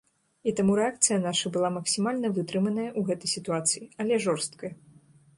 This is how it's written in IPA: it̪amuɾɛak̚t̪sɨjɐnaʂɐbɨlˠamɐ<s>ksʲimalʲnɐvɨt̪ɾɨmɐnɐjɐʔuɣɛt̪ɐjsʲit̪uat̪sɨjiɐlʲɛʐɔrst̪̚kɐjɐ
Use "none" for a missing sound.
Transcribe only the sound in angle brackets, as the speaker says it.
none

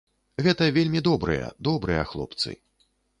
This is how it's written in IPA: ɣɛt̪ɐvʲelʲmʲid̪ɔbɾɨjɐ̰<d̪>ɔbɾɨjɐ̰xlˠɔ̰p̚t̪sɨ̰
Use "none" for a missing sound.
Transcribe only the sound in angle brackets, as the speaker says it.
d̪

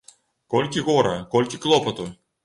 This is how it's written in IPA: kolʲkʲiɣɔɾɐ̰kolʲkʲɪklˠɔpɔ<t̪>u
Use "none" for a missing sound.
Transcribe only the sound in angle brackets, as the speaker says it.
t̪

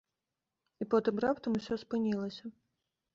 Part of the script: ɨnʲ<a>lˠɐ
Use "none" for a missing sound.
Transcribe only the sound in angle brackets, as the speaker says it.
i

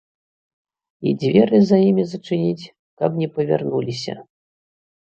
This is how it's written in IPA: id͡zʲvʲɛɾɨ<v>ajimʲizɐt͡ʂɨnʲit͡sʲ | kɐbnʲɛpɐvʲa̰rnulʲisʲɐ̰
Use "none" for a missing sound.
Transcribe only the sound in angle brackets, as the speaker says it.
z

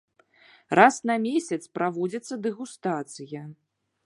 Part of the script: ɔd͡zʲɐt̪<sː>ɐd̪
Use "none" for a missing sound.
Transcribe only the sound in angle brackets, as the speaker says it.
sː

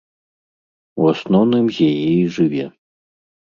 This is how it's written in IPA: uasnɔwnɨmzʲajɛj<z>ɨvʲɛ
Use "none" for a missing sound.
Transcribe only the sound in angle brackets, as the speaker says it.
ʐ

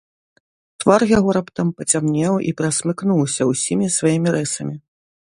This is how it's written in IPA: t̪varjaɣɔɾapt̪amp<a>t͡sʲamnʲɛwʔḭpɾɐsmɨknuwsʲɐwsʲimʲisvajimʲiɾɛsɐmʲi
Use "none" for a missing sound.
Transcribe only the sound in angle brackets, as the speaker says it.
ɐ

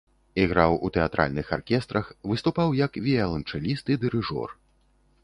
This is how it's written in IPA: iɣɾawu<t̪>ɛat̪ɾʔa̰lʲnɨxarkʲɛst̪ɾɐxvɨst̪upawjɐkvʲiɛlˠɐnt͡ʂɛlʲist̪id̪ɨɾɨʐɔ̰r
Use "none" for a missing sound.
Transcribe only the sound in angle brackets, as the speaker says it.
t̪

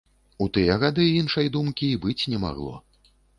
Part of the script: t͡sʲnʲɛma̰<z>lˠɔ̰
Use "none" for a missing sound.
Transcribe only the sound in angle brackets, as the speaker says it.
ɣ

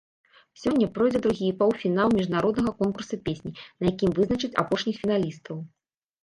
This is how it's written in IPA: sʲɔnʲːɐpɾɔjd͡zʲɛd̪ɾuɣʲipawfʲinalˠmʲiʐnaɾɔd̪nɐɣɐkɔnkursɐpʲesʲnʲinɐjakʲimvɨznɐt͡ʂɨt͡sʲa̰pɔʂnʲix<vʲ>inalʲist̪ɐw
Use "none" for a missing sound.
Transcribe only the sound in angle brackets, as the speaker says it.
fʲ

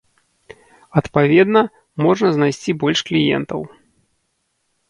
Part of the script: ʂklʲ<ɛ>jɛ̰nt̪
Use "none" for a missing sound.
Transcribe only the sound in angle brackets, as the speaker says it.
i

